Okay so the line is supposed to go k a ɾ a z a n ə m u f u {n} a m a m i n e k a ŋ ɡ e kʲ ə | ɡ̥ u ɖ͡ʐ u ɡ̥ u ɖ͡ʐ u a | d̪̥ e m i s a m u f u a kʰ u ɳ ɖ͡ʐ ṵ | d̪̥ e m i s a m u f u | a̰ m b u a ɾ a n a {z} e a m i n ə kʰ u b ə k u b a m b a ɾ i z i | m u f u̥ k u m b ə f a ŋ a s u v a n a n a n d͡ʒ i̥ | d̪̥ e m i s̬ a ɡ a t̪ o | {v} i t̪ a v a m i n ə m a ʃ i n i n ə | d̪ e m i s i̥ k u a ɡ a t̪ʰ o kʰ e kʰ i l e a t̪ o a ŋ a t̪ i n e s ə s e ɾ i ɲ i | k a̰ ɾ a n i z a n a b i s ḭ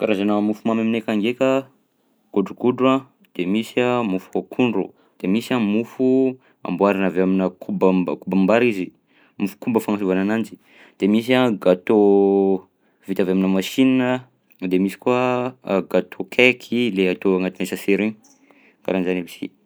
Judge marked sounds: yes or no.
no, no, yes

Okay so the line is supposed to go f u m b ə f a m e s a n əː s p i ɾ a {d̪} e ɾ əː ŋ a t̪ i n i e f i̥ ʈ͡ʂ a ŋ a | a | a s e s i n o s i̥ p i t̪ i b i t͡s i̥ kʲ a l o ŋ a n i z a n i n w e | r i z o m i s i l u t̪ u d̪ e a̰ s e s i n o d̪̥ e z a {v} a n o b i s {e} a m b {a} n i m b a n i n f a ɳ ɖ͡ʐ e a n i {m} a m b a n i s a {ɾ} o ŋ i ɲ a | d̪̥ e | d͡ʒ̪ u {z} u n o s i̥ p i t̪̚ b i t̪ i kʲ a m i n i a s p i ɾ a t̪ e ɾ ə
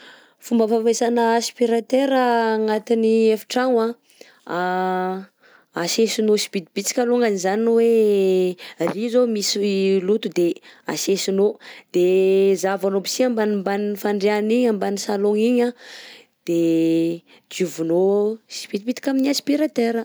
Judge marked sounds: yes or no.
no, yes, no, yes, no, no, no

